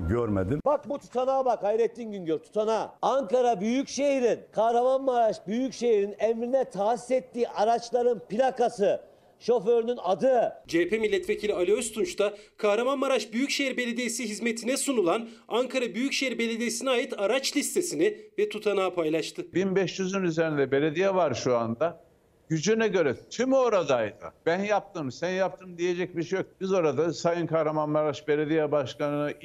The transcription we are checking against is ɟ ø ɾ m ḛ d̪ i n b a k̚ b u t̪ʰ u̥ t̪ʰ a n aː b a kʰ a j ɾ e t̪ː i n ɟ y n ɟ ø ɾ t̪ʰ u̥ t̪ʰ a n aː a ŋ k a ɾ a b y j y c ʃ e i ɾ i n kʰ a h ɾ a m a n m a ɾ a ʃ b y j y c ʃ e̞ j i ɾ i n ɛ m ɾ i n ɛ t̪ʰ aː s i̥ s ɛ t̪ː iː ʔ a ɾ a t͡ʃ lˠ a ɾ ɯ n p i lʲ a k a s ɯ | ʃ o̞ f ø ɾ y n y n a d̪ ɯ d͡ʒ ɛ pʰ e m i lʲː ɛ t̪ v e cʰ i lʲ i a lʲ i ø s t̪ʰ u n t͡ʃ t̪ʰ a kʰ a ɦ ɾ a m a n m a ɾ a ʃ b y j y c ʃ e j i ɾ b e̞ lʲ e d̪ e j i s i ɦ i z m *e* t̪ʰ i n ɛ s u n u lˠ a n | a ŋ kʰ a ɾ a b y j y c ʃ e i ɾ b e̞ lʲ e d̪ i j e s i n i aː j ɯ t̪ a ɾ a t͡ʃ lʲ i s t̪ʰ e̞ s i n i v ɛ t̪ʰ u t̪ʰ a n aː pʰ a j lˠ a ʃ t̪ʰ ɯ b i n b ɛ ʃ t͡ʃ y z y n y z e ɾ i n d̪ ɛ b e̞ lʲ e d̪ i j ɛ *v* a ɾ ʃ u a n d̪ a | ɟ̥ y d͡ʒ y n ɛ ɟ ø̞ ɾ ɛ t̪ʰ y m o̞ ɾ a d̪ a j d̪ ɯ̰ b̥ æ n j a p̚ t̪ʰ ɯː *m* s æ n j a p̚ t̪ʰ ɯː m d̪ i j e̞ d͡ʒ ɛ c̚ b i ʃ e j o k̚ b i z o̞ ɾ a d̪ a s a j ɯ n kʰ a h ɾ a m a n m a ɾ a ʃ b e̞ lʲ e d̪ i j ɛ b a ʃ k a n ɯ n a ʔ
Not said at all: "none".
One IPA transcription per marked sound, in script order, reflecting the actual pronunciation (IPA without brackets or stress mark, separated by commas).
e, v, m